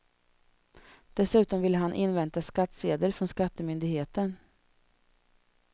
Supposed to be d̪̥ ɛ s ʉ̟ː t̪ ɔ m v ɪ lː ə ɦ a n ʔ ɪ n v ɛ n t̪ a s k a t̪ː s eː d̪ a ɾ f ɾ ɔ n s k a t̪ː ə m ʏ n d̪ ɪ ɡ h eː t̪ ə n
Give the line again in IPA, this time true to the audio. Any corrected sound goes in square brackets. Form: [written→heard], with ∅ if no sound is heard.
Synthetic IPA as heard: d̪̥ ɛ s ʉ̟ː t̪ ɔ m v ɪ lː ə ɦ a n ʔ ɪ n v ɛ n t̪ a s k a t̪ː s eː d̪ [a→ə] ɾ f ɾ ɔ n s k a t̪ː ə m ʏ n d̪ ɪ ɡ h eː t̪ ə n